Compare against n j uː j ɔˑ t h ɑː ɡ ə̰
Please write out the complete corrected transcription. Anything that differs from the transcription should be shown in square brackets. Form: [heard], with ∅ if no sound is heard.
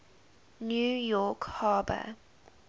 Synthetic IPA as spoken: n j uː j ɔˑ [k] h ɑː [b] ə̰